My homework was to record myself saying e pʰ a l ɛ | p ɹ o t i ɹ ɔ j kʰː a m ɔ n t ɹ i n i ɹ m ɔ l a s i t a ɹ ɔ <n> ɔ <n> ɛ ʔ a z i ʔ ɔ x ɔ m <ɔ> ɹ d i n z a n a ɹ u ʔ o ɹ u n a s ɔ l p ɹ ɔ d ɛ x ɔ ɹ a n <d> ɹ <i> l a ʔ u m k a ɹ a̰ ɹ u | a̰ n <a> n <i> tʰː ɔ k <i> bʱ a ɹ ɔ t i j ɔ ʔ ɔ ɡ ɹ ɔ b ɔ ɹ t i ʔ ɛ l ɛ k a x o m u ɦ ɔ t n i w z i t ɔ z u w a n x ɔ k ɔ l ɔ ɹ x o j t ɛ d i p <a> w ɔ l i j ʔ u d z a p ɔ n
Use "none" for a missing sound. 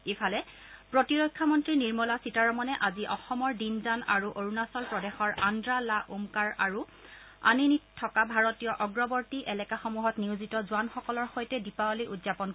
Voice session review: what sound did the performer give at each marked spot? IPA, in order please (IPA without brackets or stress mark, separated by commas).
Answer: m, n, ɔ, d, a, i, i, a, a